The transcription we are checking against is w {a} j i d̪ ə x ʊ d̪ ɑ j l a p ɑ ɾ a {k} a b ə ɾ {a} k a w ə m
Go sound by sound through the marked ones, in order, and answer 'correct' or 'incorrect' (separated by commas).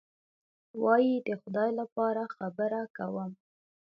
incorrect, incorrect, correct